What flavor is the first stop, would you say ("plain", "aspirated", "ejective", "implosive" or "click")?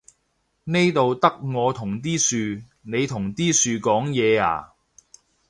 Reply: plain